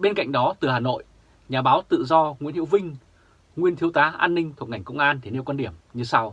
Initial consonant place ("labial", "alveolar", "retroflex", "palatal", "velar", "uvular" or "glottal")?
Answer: labial